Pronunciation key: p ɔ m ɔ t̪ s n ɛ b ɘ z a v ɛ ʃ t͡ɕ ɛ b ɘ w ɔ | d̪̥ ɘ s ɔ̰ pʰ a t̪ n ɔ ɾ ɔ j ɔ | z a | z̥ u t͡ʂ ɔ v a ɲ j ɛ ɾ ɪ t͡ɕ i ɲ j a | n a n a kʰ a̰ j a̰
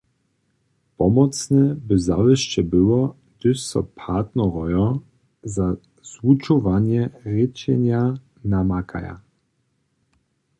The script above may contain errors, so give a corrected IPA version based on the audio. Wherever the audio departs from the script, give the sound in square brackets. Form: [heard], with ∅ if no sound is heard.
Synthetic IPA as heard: p ɔ m ɔ t̪ s n ɛ b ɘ z a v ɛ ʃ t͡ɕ ɛ b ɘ w ɔ | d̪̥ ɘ s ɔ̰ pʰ a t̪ n ɔ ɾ ɔ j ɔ | z a | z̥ u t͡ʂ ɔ v a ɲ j ɛ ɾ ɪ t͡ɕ [ɛ] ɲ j a | n a [m] a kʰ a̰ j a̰